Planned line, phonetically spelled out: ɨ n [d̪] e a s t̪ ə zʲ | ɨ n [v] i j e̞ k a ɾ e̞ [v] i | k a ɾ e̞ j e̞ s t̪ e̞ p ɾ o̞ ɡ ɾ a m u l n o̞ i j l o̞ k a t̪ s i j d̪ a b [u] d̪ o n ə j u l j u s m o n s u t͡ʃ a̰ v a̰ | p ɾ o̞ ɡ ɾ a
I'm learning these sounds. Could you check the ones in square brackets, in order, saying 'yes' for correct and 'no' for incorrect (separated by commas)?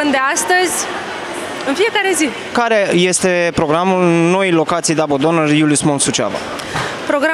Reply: yes, no, no, no